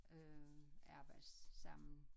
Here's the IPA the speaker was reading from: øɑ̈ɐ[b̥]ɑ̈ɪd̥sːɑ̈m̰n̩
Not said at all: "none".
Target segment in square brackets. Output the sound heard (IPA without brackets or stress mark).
b̥